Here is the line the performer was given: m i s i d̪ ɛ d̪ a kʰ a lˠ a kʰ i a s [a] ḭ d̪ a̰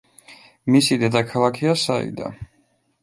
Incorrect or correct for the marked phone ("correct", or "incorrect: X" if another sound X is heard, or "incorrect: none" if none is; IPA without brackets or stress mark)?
correct